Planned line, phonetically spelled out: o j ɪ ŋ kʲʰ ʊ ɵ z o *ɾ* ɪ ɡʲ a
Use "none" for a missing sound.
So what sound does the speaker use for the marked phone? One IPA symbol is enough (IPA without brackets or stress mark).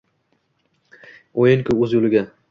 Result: l